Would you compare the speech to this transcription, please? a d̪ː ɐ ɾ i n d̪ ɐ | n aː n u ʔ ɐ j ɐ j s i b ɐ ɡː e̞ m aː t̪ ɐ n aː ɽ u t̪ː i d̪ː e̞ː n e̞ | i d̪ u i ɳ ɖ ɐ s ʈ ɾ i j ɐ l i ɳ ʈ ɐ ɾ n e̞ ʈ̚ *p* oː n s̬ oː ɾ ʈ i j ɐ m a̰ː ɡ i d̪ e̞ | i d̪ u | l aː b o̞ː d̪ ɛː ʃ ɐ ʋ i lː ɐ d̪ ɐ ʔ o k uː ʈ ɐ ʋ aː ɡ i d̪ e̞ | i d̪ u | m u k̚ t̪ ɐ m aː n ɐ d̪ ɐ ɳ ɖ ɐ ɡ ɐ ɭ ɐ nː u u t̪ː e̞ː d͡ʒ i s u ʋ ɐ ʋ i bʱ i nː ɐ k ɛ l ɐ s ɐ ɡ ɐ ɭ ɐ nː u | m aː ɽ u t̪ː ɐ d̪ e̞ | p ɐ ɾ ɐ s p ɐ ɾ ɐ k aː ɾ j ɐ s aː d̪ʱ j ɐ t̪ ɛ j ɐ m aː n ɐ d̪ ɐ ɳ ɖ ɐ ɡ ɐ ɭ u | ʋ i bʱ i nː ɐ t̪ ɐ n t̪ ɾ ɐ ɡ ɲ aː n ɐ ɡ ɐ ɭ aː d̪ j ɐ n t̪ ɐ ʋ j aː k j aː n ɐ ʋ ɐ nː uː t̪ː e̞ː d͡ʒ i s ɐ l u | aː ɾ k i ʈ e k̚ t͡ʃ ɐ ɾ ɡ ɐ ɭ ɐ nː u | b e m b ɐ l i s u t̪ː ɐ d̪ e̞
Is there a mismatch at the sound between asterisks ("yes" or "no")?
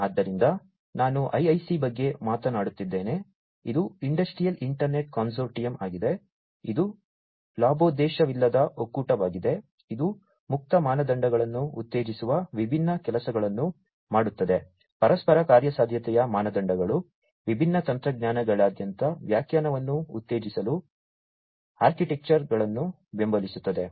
yes